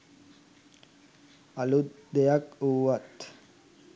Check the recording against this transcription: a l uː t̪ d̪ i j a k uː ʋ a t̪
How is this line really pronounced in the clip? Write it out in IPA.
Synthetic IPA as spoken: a l u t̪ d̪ e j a k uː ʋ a t̪

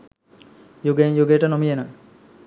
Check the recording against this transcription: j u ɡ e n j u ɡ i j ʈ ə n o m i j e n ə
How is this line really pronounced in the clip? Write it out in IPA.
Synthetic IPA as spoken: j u ɡ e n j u ɡ e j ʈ ə n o m i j e n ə

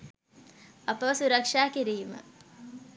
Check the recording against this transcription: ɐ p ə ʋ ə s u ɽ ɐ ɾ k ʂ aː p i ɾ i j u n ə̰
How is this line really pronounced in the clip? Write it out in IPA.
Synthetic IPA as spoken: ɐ p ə ʋ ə s u ɾ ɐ k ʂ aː k i ɾ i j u m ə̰

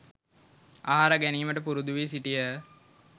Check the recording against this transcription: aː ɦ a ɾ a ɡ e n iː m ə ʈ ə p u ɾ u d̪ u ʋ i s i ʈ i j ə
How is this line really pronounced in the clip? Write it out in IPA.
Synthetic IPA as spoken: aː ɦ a ɾ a ɡ æ n iː m ə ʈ ə p u ɾ u d̪ u ʋ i s i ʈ i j ə

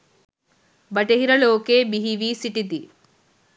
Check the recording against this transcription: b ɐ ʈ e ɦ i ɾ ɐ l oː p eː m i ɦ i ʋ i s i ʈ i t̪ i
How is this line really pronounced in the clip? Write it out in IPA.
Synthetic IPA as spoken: b ɐ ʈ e ɦ i ɾ ɐ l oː k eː b i ɦ i ʋ i s i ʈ i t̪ i

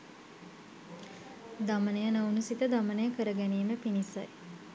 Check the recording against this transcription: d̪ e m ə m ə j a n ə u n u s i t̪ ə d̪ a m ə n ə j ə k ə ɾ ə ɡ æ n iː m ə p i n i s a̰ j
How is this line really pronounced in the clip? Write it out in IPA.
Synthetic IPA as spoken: d̪ a m ə n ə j ə n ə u n u s i t̪ ə d̪ a m ə n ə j ə k ə ɾ ə ɡ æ n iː m ə p i n i s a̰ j

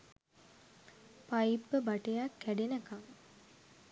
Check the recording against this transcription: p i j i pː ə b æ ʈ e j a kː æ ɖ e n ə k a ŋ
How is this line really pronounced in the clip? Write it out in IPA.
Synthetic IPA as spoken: p a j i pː ə b a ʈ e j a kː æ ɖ e n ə k a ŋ

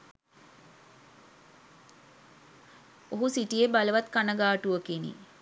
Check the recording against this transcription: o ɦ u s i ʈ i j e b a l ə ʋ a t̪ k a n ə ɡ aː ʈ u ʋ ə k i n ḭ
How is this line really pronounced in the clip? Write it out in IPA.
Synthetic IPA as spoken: o ɦ u s i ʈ i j e b a l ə ʋ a t̪ k a n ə ɡ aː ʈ u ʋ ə k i n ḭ

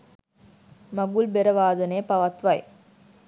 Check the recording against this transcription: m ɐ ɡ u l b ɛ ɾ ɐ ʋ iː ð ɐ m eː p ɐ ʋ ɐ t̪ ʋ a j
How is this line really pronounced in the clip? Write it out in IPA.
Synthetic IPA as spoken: m ɐ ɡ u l b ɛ ɾ ɐ ʋ aː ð ɐ n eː p ɐ ʋ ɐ t̪ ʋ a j

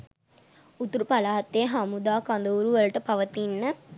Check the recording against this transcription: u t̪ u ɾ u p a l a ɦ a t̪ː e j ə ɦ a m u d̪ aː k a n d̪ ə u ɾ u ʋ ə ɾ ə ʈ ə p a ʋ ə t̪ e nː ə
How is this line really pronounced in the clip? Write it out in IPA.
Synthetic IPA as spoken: u t̪ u ɾ u p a l a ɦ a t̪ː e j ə ɦ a m u d̪ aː k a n d̪ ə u ɾ u ʋ ə l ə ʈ ə p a ʋ ə t̪ i nː ə

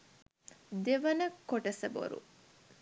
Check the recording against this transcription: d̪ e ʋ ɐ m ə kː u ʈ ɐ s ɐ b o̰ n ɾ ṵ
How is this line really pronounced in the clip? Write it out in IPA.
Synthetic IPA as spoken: d̪ e ʋ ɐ n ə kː o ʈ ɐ s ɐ b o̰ ɾ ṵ

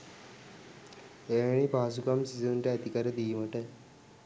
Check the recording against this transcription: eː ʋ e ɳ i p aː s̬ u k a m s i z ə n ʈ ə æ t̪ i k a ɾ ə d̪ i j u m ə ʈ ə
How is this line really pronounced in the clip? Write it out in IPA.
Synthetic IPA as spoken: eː ʋ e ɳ i p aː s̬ u k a m s i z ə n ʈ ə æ t̪ i k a ɾ ə d̪ i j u m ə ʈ ə

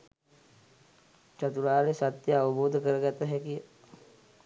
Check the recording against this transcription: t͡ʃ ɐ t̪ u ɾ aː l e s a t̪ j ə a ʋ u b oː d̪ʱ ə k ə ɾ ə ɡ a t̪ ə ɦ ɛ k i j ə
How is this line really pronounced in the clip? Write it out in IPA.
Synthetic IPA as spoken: t͡ʃ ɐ t̪ u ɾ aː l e s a t̪ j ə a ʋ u b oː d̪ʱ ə k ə ɾ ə ɡ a t̪ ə ɦ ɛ k i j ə

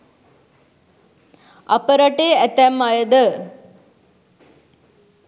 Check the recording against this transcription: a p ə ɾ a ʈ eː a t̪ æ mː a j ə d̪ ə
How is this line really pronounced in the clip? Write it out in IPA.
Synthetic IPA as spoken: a p ə ɾ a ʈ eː æ t̪ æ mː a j ə d̪ ə

